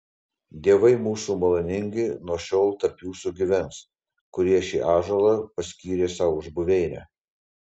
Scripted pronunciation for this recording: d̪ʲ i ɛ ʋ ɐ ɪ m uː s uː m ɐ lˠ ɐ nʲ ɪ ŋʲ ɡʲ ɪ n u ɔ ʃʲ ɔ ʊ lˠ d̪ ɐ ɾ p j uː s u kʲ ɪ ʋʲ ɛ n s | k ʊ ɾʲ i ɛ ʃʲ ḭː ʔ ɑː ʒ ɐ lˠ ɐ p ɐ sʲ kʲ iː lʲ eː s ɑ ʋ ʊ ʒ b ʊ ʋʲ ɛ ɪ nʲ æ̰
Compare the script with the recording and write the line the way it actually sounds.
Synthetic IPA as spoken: d̪ʲ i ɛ ʋ ɐ ɪ m uː s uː m ɐ lˠ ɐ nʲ ɪ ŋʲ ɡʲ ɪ n u ɔ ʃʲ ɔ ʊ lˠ t̪ ɐ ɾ p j uː s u ɡʲ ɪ ʋʲ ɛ n s | k ʊ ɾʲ i ɛ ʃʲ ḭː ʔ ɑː ʒ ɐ lˠ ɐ p ɐ sʲ kʲ iː ɾʲ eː s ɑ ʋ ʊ ʒ b ʊ ʋʲ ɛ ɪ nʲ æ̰